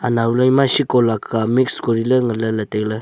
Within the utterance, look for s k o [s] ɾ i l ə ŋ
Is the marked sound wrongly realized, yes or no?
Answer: yes